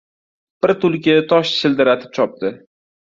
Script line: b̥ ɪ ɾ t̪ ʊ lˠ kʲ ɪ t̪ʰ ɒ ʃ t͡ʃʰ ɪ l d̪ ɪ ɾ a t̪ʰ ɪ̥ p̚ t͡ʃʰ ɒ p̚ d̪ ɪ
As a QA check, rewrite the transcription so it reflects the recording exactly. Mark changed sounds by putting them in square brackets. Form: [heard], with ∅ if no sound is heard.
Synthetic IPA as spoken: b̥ ɪ ɾ t̪ ʊ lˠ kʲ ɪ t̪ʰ ɒ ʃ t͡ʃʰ ɪ l d̪ ɪ ɾ a t̪ʰ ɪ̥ p̚ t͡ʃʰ ɒ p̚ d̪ ɪ